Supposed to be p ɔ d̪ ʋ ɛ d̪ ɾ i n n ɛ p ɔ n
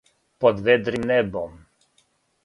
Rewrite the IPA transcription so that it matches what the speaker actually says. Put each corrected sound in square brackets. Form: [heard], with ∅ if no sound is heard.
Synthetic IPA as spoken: p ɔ d̪ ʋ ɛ d̪ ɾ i [m] n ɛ [b] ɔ [m]